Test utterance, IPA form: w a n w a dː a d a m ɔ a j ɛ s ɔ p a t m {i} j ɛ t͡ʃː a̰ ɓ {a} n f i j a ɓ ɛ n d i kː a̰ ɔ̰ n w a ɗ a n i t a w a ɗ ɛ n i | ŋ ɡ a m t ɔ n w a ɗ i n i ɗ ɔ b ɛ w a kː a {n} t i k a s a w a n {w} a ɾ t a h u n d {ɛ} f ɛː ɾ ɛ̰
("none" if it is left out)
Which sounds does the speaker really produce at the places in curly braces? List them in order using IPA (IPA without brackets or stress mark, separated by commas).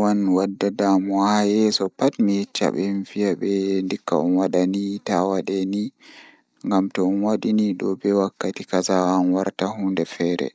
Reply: i, ɛ, none, w, ɛ